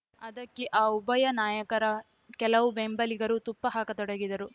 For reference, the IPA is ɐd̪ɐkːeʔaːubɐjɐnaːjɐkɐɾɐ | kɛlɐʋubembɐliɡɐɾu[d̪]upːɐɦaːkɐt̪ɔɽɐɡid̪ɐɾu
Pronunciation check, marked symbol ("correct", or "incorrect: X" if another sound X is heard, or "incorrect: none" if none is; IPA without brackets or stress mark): incorrect: t̪